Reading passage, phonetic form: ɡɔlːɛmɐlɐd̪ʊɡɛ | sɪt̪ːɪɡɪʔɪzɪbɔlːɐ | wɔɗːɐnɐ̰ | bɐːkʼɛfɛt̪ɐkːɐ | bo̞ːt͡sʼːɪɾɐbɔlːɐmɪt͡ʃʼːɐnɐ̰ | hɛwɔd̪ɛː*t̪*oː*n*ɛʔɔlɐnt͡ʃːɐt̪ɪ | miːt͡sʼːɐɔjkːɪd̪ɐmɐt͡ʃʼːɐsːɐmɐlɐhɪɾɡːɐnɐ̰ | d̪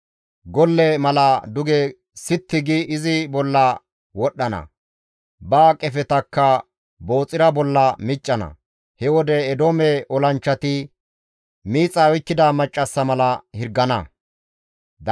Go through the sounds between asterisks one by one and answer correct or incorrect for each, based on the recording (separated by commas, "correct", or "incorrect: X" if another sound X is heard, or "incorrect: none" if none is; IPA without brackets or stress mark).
incorrect: d̪, incorrect: m